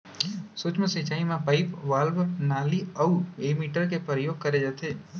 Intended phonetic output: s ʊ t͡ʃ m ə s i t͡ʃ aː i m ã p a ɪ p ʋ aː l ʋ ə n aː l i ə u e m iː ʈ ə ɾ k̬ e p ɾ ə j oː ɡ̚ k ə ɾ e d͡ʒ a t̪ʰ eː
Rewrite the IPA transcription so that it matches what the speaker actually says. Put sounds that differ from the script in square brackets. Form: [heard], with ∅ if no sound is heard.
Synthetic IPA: s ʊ t͡ʃ m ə s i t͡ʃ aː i m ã p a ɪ p ʋ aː l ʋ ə n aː l i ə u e m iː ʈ ə ɾ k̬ e p ɾ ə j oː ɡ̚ k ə ɾ e d͡ʒ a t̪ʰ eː